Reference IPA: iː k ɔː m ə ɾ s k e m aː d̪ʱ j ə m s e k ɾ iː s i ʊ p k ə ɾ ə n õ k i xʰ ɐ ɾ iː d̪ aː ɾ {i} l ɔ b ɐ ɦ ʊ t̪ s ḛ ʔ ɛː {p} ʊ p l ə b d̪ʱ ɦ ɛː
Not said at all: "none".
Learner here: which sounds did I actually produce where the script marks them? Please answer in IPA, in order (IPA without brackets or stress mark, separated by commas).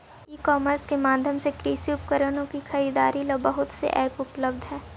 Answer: i, p